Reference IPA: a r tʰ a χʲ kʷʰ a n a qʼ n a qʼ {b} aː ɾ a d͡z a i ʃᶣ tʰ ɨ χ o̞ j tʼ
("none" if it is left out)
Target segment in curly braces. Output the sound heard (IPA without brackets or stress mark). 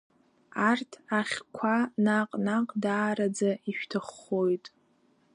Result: d